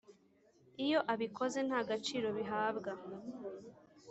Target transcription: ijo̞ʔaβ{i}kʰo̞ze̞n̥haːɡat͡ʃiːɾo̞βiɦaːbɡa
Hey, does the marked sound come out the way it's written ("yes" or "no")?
yes